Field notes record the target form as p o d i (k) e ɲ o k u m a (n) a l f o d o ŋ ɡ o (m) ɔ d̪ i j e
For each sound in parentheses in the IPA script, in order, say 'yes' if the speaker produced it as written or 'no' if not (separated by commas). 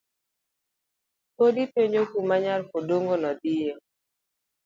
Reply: no, no, no